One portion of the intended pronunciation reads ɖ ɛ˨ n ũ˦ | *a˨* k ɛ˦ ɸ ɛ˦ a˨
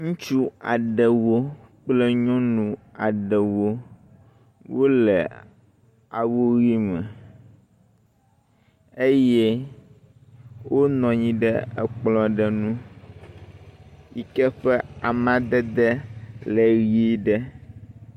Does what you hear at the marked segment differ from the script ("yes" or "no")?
yes